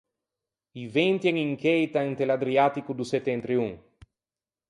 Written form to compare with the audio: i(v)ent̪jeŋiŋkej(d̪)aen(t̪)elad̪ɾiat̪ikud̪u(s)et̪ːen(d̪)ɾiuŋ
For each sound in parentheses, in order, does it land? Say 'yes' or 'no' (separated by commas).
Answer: yes, no, yes, yes, no